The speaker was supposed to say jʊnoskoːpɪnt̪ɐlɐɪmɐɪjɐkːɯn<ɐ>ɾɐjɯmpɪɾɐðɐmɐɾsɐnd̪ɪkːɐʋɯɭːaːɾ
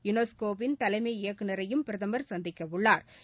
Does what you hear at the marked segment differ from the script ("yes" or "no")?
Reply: no